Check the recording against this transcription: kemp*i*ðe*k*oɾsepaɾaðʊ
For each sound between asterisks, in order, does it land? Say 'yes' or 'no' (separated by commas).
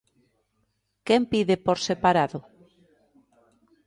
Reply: yes, no